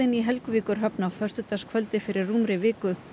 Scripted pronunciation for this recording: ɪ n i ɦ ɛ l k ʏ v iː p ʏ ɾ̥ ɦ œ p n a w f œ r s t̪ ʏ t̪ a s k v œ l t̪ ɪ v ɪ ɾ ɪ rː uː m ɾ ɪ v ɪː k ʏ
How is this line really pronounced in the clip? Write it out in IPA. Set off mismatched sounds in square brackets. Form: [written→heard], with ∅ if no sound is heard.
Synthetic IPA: ɪ n i ɦ ɛ l k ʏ v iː [p→k] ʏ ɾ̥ ɦ œ p n a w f œ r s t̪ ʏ t̪ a s [k→kʰ] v œ l t̪ ɪ [v→f] ɪ ɾ ɪ rː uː m ɾ ɪ v ɪː k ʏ